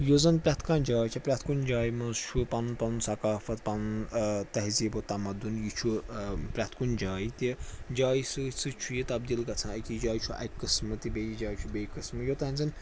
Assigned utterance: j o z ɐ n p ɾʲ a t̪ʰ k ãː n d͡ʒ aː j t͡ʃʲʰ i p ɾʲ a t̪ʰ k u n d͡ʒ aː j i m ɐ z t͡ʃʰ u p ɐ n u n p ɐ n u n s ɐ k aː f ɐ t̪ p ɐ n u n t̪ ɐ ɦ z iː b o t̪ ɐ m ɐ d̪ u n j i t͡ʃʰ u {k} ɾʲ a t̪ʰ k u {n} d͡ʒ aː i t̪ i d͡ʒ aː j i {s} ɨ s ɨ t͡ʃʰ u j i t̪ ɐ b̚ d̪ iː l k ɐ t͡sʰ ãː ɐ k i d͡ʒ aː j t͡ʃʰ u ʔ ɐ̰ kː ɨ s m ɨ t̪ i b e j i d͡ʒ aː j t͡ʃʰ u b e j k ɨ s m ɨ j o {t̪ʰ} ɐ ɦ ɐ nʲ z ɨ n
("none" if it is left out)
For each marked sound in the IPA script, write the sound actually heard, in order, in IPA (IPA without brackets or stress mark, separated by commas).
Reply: p, n, s, t̪